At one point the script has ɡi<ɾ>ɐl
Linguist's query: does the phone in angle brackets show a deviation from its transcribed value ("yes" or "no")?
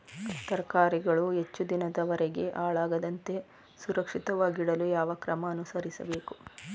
yes